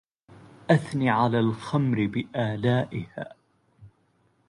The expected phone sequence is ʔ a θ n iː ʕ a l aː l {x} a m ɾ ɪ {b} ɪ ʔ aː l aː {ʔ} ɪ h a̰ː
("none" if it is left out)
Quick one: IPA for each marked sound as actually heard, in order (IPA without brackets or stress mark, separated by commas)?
x, b, ʔ